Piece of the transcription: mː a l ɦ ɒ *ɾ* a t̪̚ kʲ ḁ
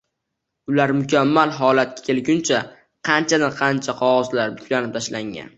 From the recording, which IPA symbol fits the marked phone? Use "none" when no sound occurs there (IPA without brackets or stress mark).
l